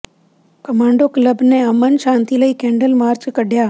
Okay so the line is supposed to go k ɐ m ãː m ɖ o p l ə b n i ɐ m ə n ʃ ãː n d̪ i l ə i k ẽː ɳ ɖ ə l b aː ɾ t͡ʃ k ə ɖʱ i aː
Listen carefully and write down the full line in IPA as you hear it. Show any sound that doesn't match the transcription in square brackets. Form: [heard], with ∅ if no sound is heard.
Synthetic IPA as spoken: k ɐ m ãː [ɳ] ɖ o [k] l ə b n [e] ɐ m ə n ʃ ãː n [t̪] i l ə i k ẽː ɳ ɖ ə l [m] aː ɾ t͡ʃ k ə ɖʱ [j] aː